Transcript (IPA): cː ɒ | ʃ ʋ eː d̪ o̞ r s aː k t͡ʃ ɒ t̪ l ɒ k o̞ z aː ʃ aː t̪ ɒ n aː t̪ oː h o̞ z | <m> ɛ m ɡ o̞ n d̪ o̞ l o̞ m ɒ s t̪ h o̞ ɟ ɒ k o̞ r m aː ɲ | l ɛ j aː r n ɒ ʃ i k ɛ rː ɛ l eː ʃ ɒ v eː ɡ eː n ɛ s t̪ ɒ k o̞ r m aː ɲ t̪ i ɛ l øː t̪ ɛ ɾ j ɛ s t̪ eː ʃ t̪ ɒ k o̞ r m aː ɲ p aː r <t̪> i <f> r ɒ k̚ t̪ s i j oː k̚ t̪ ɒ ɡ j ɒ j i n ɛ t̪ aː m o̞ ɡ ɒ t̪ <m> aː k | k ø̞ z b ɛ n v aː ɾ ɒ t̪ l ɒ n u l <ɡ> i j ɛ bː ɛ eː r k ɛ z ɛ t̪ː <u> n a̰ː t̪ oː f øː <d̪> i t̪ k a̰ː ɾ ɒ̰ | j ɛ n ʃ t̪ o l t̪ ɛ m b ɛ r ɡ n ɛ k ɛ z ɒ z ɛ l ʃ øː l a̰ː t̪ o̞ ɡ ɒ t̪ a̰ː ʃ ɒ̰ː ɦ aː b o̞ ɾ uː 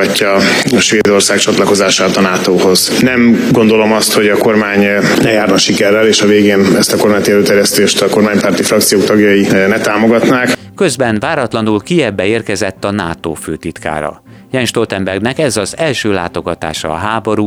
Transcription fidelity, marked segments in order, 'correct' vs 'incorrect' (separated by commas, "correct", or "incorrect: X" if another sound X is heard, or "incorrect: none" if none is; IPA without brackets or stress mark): incorrect: n, correct, correct, incorrect: n, incorrect: k, incorrect: ɒ, incorrect: t̪